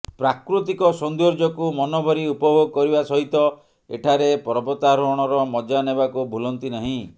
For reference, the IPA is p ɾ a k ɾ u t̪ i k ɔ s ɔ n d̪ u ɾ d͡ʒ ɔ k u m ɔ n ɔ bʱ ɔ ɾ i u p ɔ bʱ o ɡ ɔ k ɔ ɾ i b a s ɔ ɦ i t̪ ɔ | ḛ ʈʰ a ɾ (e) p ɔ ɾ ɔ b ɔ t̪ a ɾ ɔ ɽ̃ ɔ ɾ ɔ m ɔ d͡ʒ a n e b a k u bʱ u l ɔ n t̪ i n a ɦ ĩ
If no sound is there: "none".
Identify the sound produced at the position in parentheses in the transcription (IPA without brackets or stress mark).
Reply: e